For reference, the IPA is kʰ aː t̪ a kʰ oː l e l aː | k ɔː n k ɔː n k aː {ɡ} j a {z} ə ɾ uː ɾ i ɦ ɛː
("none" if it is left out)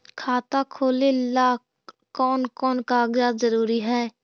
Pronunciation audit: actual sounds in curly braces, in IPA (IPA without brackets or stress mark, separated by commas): ɡ, z